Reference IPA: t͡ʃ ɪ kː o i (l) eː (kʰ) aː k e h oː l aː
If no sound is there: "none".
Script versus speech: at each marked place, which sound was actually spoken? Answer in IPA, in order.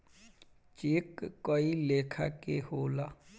l, kʰ

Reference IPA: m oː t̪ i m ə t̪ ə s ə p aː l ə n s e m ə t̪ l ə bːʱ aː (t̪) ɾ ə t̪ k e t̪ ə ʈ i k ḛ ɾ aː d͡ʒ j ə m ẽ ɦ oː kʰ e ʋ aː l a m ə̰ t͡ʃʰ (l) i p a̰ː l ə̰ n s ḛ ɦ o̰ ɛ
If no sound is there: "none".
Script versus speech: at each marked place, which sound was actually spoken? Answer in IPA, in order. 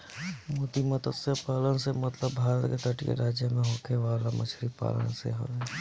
none, ɾ

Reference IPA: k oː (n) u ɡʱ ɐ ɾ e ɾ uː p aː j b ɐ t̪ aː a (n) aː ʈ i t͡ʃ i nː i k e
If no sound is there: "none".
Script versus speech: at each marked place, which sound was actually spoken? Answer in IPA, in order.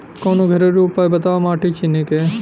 n, m

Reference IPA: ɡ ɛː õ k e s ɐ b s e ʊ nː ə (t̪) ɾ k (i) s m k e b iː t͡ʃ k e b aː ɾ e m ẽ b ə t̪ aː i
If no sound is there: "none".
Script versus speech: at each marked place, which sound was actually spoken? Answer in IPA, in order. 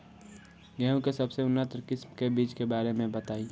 t̪, ɪ

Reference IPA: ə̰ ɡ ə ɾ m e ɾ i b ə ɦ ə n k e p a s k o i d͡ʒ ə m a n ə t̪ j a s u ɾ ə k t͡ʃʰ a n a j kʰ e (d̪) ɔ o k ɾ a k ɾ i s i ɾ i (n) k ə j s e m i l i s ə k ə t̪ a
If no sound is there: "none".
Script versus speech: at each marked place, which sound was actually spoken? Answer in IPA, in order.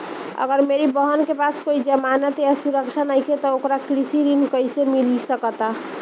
t̪, n

